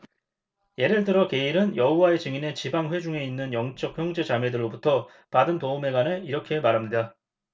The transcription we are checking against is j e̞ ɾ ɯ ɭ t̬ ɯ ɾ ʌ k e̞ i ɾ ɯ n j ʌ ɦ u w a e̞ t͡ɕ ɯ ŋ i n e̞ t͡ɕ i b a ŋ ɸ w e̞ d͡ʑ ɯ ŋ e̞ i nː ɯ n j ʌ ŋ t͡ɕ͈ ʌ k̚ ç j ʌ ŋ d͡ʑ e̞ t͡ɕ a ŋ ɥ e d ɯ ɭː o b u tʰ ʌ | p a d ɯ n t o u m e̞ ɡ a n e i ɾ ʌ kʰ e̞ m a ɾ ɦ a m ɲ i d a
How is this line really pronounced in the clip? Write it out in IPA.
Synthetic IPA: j e̞ ɾ ɯ ɭ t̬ ɯ ɾ ʌ k e̞ i ɾ ɯ n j ʌ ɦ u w a e̞ t͡ɕ ɯ ŋ i n e̞ t͡ɕ i b a ŋ ɸ w e̞ d͡ʑ u ŋ e̞ i nː ɯ n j ʌ ŋ t͡ɕ͈ ʌ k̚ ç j ʌ ŋ d͡ʑ e̞ t͡ɕ a m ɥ e d ɯ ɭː o b u tʰ ʌ | p a d ɯ n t o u m e̞ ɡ a n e i ɾ ʌ kʰ e̞ m a ɾ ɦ a m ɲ i d a

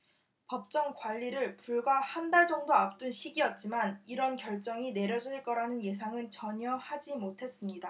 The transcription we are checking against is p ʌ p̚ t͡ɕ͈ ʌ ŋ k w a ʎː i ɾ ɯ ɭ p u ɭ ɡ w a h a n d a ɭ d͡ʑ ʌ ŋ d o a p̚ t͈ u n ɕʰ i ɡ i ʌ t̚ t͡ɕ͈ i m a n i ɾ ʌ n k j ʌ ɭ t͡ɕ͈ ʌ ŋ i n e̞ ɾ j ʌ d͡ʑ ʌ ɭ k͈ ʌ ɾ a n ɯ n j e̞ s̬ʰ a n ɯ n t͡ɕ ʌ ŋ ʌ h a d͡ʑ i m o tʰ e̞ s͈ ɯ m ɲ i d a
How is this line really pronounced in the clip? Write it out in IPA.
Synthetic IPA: p ʌ p̚ t͡ɕ͈ ʌ ŋ k w a ʎː i ɾ ɯ ɭ p u ɭ ɡ w a h a n d a ɭ d͡ʑ ʌ ŋ d o a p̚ t͈ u n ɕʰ i ɡ i ʌ t̚ t͡ɕ͈ i m a n i ɾ ʌ n k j ʌ ɭ t͡ɕ͈ ʌ ŋ i n e̞ ɾ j ʌ d͡ʑ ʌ ɭ k͈ ʌ ɾ a n ɯ n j e̞ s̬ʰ a ŋ ɯ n t͡ɕ ʌ ɲ ʌ h a d͡ʑ i m o tʰ e̞ s͈ ɯ m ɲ i d a

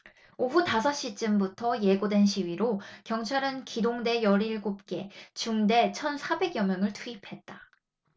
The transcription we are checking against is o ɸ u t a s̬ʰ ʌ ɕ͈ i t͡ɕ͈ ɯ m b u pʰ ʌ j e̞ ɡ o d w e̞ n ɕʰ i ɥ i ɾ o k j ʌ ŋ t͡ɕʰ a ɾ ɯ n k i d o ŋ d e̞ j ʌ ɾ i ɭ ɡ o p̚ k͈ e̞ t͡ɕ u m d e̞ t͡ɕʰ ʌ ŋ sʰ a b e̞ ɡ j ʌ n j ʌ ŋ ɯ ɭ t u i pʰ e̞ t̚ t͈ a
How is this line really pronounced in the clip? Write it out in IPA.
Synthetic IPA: o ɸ u t a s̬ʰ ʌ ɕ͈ i t͡ɕ͈ ɯ m b u tʰ ʌ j e̞ ɡ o d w e̞ n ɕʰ i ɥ i ɾ o k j ʌ ŋ t͡ɕʰ a ɾ ɯ n k i d o ŋ d e̞ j ʌ ɾ i ɭ ɡ o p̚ k͈ e̞ t͡ɕ u ŋ d e̞ t͡ɕʰ ʌ n sʰ a b e̞ ɡ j ʌ m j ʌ ŋ ɯ ɭ tʰ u i pʰ e̞ t̚ t͈ a

